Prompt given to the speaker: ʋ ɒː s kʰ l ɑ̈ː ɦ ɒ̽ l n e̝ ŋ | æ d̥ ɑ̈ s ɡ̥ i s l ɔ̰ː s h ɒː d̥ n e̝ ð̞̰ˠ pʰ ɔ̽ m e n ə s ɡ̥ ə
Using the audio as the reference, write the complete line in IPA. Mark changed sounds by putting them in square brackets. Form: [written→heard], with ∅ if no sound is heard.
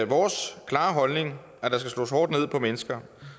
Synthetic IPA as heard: ʋ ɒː s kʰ l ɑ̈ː ɦ ɒ̽ l n e̝ ŋ | æ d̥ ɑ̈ s ɡ̥ [i→æ] s l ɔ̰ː s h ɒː d̥ n e̝ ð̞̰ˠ pʰ [ɔ̽→ɒ̽] m e n ə s ɡ̥ [ə→ɐ]